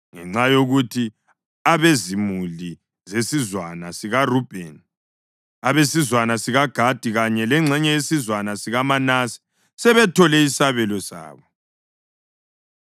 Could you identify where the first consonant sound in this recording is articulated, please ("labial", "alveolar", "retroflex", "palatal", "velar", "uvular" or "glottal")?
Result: velar